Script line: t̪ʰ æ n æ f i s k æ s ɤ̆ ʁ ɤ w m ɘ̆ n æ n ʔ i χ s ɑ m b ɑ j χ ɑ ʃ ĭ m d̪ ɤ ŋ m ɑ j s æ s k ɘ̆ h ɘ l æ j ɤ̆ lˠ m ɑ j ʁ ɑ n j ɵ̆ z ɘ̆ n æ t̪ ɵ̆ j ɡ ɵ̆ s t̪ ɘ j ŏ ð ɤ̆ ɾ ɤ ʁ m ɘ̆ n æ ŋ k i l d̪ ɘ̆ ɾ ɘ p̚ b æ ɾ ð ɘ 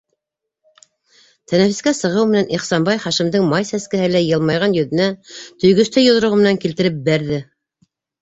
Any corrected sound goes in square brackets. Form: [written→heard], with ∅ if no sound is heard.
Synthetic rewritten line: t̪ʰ æ n æ f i s k æ s ɤ̆ ʁ ɤ w m ɘ̆ n æ n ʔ i χ s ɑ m b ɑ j χ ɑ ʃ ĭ m d̪ ɤ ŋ m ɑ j s æ s k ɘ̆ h ɘ l æ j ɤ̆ lˠ m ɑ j ʁ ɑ n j ɵ̆ [z→ð] ɘ̆ n æ t̪ ɵ̆ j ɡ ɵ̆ s t̪ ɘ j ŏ ð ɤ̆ ɾ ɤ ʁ m ɘ̆ n æ ŋ k i l [d̪→t̪] ɘ̆ ɾ ɘ p̚ b æ ɾ ð ɘ